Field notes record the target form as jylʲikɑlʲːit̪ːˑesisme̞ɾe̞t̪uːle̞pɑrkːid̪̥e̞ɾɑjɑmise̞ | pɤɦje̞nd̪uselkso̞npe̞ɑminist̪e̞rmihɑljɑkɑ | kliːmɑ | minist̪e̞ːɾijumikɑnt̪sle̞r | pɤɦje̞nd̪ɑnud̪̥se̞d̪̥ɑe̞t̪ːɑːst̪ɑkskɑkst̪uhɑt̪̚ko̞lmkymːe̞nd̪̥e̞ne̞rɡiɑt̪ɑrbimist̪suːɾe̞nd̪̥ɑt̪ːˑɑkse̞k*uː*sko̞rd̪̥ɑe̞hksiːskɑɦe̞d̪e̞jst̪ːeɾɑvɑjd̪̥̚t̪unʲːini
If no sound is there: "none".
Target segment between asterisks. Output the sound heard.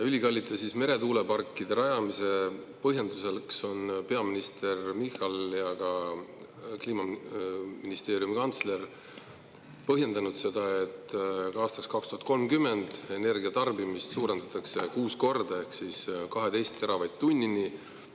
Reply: uː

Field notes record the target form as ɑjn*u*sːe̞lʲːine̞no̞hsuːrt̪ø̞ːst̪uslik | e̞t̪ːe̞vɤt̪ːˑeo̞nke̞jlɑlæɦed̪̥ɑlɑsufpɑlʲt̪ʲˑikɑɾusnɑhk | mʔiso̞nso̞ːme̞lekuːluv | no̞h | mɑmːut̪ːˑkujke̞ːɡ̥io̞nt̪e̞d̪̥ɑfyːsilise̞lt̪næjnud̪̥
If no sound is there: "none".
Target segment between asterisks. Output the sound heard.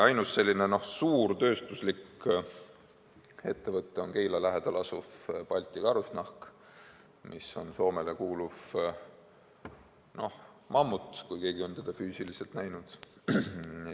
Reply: u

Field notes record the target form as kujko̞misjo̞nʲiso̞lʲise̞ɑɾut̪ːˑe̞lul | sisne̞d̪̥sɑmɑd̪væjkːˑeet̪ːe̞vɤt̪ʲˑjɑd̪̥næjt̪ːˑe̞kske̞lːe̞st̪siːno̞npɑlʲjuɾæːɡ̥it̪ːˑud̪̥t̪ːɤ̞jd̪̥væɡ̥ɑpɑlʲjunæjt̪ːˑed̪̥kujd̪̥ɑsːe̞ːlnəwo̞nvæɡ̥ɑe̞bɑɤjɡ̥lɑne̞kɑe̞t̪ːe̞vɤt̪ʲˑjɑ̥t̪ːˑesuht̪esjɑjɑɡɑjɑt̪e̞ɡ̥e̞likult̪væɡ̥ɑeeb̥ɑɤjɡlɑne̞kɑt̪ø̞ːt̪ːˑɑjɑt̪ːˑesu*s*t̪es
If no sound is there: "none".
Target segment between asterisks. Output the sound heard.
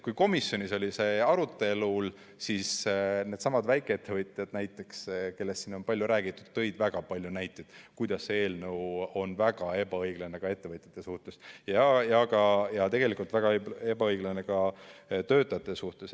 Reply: h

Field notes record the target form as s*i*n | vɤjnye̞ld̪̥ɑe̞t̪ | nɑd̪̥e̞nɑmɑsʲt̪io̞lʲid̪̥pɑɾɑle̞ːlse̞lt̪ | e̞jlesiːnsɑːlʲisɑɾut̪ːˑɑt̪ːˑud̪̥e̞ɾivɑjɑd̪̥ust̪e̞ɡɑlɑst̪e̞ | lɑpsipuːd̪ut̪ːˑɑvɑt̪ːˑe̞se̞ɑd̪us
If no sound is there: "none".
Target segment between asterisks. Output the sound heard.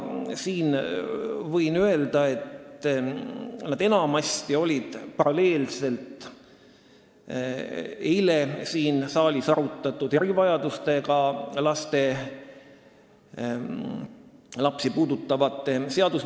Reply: iː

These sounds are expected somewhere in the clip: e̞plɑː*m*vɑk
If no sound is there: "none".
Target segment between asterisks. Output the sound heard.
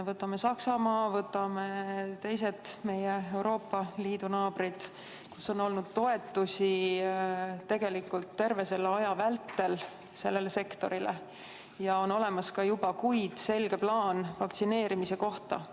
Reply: n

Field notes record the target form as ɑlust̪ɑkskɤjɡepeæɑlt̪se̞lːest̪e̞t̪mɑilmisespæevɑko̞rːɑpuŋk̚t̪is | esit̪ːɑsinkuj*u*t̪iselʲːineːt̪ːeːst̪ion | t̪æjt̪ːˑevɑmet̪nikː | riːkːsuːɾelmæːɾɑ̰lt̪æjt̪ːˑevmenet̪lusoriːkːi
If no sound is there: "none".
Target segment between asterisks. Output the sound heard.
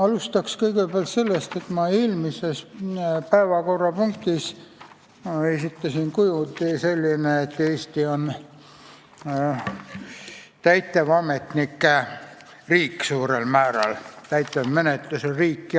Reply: u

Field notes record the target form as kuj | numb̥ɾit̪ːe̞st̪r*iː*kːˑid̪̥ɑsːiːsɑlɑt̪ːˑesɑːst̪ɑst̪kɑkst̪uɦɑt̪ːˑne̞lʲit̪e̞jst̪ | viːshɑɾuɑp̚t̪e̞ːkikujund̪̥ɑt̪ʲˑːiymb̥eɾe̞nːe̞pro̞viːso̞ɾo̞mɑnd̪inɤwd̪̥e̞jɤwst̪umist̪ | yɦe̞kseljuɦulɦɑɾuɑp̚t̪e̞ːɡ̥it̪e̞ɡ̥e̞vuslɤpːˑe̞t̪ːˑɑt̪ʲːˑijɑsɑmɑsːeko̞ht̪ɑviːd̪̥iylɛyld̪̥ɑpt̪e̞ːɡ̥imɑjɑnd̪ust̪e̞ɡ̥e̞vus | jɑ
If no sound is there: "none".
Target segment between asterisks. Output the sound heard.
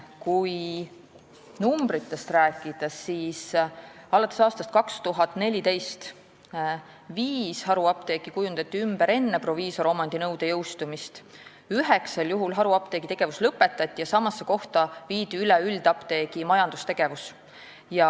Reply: æː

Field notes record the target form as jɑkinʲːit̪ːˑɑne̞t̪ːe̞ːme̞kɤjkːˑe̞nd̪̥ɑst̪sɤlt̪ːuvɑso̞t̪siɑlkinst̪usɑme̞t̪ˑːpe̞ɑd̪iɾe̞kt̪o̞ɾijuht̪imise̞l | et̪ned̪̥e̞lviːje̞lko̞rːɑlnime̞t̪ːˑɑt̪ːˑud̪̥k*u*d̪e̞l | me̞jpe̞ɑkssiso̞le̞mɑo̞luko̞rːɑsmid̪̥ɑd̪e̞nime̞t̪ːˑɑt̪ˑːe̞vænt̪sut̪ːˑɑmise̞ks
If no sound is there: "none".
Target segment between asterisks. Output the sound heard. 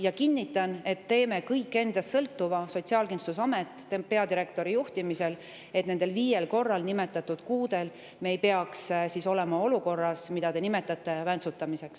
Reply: uː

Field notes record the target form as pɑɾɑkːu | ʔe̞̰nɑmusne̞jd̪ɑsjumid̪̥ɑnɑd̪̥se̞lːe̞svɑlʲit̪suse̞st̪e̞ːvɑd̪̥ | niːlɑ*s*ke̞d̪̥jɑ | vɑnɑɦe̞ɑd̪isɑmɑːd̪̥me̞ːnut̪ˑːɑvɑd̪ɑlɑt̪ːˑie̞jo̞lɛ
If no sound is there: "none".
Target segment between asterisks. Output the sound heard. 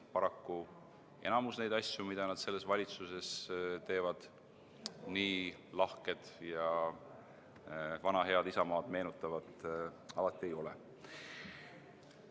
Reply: h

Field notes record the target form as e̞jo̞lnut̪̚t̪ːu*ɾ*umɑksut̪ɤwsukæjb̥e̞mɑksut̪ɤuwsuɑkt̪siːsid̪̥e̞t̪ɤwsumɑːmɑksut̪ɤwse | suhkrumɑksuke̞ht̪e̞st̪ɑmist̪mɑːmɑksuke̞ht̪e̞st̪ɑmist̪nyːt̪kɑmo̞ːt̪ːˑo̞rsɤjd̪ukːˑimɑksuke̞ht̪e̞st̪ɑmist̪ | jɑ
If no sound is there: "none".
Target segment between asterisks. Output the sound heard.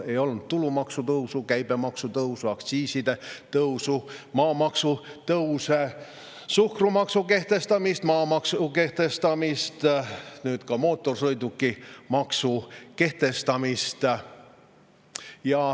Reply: l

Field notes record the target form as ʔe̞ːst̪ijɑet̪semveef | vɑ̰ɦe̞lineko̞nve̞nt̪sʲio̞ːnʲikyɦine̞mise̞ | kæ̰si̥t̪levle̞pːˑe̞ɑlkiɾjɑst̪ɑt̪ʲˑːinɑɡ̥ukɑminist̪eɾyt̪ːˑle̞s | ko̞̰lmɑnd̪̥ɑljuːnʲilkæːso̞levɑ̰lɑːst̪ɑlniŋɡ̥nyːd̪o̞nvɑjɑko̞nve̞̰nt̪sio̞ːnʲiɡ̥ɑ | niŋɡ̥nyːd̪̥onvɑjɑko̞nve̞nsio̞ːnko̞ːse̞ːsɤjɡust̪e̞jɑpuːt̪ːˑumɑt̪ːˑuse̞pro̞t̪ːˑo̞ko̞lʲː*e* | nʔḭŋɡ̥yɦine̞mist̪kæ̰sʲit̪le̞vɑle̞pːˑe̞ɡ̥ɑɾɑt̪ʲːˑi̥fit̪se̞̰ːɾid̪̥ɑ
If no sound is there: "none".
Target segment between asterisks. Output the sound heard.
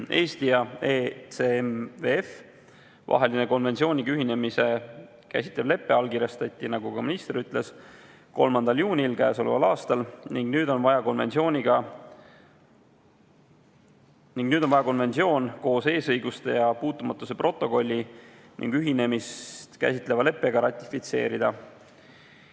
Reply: i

